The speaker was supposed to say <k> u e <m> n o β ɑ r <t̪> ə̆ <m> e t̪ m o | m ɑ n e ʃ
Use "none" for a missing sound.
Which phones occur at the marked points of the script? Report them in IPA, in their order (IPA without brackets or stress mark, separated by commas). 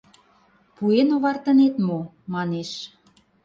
p, none, t̪, n